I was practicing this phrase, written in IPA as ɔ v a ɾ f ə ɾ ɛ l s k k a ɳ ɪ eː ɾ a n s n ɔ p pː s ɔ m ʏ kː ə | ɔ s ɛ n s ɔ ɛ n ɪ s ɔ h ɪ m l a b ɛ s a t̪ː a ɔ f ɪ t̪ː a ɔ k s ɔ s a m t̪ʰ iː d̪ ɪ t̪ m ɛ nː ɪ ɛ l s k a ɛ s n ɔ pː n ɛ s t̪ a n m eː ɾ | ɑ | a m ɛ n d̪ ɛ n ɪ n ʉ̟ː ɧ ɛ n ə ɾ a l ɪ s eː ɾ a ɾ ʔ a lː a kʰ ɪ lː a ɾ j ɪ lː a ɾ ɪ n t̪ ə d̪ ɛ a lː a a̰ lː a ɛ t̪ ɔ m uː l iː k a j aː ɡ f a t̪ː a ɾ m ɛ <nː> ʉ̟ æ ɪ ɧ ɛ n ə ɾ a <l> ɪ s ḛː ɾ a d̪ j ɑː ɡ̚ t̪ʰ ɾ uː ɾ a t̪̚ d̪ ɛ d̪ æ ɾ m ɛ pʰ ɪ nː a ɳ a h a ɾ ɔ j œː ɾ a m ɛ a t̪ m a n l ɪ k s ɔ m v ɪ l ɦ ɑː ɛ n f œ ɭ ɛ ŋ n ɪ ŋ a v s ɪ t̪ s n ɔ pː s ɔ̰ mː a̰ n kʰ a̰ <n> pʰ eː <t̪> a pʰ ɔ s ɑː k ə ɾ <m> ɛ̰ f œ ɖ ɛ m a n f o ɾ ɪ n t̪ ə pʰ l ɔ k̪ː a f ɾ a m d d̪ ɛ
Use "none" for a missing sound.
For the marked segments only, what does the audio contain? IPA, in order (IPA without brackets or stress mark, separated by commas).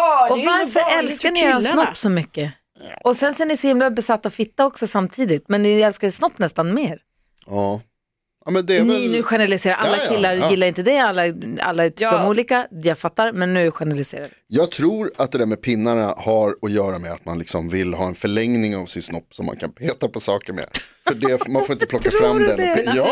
nː, l, n, t̪, m